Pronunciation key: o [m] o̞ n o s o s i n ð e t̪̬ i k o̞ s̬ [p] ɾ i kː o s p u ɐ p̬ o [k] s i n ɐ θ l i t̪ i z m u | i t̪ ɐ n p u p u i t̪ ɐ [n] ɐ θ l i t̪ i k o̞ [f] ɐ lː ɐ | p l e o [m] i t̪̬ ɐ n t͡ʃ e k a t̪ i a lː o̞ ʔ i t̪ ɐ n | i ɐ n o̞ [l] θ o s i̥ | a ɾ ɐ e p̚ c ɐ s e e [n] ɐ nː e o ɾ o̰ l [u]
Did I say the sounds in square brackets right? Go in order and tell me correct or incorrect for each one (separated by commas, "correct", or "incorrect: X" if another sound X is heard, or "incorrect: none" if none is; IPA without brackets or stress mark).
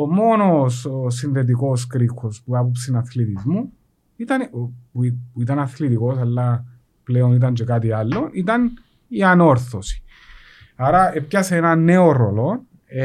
correct, incorrect: k, incorrect: p, correct, incorrect: s, incorrect: n, incorrect: ɾ, correct, incorrect: o